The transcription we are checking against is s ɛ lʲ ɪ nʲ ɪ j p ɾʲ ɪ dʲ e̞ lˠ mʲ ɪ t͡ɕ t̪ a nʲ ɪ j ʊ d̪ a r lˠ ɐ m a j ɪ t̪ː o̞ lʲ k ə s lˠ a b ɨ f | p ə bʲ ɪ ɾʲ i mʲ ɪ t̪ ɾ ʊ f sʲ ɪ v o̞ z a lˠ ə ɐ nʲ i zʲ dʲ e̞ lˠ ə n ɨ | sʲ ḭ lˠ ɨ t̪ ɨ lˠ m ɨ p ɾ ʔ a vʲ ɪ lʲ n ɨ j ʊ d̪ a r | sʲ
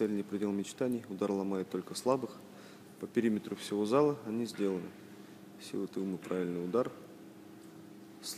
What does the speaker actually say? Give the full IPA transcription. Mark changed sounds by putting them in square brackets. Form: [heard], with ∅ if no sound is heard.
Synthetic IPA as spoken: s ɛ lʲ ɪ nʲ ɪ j p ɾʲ ɪ dʲ e̞ lˠ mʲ ɪ t͡ɕ t̪ a nʲ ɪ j ʊ d̪ a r lˠ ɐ m a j ɪ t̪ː o̞ lʲ k ə s lˠ a b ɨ [x] | p ə [pʲ] ɪ ɾʲ i mʲ ɪ t̪ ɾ ʊ f sʲ ɪ v o̞ z a lˠ ə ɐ nʲ i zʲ dʲ e̞ lˠ ə n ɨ | sʲ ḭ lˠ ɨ t̪ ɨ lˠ m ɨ p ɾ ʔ a vʲ ɪ lʲ n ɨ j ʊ d̪ a r | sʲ